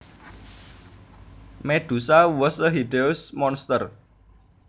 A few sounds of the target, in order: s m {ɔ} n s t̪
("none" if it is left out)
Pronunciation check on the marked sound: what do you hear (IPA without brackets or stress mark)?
ɔ